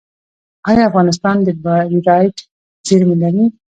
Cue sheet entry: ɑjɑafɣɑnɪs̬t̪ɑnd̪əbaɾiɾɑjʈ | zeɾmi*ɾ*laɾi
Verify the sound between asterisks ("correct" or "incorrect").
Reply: incorrect